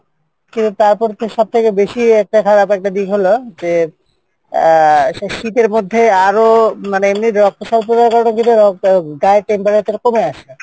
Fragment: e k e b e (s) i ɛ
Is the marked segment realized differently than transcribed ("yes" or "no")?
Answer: yes